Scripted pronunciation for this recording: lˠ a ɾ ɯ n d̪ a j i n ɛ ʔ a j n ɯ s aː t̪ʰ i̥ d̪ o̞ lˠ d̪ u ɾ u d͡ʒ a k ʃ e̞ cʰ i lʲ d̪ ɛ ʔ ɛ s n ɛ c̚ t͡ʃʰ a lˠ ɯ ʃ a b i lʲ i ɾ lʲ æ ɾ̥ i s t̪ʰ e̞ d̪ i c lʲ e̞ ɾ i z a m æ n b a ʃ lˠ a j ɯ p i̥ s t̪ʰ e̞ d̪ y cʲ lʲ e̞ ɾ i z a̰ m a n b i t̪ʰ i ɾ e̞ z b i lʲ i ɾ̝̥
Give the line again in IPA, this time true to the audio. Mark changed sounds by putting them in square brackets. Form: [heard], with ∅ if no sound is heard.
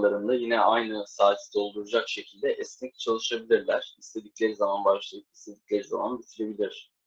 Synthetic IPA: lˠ a ɾ ɯ n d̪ a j i n ɛ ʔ a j n ɯ s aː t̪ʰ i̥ d̪ o̞ lˠ d̪ u ɾ u d͡ʒ a k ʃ e̞ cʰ i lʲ d̪ ɛ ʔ ɛ s n ɛ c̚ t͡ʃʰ a lˠ ɯ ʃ a b i lʲ i ɾ lʲ æ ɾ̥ i s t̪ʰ e̞ d̪ i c lʲ e̞ ɾ i z a m [a] n b a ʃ lˠ a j ɯ p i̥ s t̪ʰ e̞ d̪ [i] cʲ lʲ e̞ ɾ i z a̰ m a n b i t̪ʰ i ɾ e̞ [∅] b i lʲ i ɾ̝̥